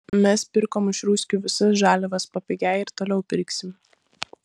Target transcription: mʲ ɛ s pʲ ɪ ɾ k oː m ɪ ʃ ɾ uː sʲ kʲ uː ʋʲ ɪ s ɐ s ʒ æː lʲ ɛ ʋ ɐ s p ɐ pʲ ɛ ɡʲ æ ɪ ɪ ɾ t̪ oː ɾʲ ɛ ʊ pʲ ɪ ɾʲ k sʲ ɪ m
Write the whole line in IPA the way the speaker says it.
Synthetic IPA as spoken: mʲ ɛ s pʲ ɪ ɾ k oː m ɪ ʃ ɾ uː sʲ kʲ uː ʋʲ ɪ s ɐ s ʒ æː lʲ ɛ ʋ ɐ s p ɐ pʲ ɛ ɡʲ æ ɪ ɪ ɾ t̪ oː lʲ ɛ ʊ pʲ ɪ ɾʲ k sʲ ɪ m